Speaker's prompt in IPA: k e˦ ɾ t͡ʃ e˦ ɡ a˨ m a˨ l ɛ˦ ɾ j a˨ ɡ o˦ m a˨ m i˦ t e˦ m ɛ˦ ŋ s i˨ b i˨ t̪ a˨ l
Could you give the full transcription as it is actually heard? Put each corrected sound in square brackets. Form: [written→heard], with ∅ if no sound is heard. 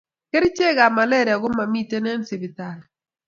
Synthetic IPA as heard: k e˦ ɾ t͡ʃ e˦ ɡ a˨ m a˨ l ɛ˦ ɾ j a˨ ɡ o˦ m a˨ m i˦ t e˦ [m→n] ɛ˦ [ŋ→n] s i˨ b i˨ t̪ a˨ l